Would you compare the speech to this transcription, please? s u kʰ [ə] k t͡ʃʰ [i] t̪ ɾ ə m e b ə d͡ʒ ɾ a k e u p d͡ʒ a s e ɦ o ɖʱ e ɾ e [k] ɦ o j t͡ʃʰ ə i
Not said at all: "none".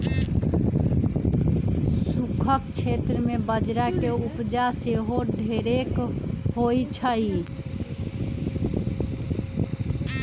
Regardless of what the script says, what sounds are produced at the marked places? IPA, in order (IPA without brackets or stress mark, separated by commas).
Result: ə, e, k